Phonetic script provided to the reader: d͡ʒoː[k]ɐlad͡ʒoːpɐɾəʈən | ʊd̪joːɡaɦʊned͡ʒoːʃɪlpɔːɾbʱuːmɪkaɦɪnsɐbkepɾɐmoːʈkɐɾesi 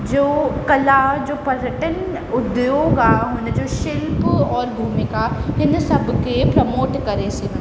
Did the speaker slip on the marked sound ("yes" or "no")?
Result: no